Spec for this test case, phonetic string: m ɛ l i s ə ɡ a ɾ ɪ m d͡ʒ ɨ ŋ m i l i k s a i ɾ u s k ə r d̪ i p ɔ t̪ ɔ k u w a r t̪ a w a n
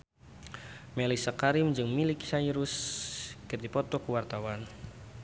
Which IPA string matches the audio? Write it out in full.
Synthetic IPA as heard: m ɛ l i s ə k a ɾ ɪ m d͡ʒ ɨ ŋ m i l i k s a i ɾ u s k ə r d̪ i p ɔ t̪ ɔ k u w a r t̪ a w a n